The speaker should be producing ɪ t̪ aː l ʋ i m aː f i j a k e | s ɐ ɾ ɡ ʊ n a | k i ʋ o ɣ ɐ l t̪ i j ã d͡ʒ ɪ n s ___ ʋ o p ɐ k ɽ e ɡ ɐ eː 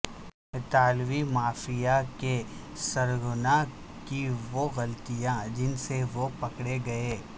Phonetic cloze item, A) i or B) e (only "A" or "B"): B